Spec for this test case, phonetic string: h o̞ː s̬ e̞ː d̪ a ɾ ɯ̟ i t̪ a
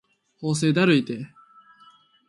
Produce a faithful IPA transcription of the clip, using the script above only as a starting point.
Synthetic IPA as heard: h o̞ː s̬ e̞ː d̪ a ɾ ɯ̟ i t̪ e